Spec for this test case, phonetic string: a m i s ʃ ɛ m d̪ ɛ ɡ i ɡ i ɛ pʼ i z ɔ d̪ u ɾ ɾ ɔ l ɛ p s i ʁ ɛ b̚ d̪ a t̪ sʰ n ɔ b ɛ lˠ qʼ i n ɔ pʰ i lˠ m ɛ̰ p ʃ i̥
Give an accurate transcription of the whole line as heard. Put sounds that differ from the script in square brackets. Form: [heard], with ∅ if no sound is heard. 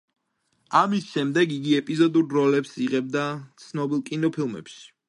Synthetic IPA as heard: a m i s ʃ ɛ m d̪ ɛ ɡ i ɡ i ɛ pʼ i z ɔ d̪ u ɾ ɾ ɔ l ɛ p s i ʁ ɛ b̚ d̪ a t̪ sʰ n ɔ b [i] lˠ [kʼ] i n ɔ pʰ i lˠ m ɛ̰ p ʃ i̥